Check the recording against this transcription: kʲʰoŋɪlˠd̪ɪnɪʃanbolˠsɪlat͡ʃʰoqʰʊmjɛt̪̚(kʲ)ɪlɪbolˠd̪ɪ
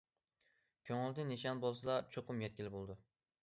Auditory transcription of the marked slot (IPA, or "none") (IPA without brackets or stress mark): kʲ